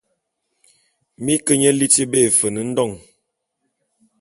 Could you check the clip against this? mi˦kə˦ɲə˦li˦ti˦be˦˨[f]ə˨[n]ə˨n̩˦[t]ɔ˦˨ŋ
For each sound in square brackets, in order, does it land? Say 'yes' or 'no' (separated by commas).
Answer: yes, yes, no